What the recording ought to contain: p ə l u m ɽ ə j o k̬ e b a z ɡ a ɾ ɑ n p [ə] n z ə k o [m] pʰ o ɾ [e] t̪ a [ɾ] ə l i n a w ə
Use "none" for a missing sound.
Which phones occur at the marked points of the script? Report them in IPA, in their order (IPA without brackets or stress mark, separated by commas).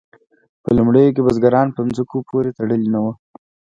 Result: ə, none, e, ɽ